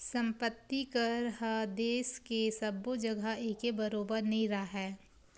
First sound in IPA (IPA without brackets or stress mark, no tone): s